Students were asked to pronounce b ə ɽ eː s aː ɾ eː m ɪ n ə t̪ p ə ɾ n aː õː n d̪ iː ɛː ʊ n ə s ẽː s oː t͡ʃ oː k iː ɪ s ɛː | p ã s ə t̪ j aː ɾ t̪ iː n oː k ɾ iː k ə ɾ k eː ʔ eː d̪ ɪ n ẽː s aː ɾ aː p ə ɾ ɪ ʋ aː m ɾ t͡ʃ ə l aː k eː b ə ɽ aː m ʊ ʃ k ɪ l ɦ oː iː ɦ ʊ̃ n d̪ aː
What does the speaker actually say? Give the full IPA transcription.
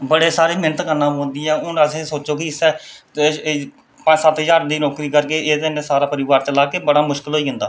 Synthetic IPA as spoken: b ə ɽ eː s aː ɾ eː m ɪ n ə t̪ k ə ɾ n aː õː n d̪ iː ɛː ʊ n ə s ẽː s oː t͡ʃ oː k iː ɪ s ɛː | p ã s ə t̪ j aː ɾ d̪ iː n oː k ɾ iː k ə ɾ k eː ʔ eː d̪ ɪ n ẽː s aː ɾ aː p ə ɾ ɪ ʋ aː ɾ t͡ʃ ə l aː k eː b ə ɽ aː m ʊ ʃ k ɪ l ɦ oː iː ɦ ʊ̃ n d̪ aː